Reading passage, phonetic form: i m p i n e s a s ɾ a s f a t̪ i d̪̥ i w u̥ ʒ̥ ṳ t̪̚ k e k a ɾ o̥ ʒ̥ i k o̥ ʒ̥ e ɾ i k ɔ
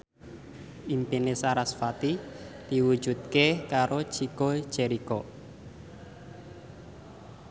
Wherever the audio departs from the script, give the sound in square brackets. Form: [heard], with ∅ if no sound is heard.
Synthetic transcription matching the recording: i m p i n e s a [∅] ɾ a s f a t̪ i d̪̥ i w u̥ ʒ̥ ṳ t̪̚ k e k a ɾ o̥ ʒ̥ i k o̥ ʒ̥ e ɾ i k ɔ